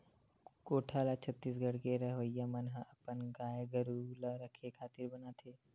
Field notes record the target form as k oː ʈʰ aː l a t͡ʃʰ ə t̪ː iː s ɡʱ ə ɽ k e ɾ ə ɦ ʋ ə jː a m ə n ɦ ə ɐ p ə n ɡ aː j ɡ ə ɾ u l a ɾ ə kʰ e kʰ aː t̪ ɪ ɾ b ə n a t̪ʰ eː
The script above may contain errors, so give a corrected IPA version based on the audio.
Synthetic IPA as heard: k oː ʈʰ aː l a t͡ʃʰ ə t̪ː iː s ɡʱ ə ɽ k e ɾ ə ɦ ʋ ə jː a m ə n ɦ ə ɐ p ə n ɡ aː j ɡ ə ɾ u l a ɾ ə kʰ e kʰ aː t̪ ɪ ɾ b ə n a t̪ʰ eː